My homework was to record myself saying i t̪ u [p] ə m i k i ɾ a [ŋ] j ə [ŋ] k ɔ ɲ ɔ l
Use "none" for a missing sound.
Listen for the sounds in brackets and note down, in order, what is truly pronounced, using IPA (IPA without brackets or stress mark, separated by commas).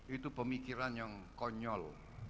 p, n, ŋ